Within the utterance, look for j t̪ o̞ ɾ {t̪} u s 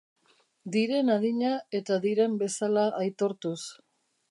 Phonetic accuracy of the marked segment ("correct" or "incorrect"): correct